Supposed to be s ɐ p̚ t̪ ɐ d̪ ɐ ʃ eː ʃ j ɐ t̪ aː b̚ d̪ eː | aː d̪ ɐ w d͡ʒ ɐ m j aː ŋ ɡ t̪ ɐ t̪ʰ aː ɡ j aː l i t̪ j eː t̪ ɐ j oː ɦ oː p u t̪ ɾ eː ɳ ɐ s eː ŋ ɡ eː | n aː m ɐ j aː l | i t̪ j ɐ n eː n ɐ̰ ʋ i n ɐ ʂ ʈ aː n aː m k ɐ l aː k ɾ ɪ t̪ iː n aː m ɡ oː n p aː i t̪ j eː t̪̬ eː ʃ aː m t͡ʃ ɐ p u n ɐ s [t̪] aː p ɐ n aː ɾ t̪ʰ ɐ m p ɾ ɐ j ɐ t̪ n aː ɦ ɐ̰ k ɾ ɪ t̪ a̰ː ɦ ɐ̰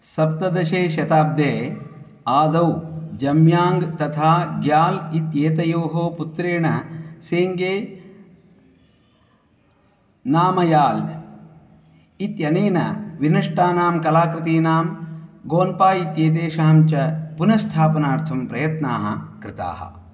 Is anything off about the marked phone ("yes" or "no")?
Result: yes